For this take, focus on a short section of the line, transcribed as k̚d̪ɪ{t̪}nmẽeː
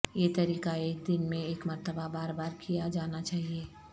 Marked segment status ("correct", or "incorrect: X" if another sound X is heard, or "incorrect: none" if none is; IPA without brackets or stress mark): incorrect: none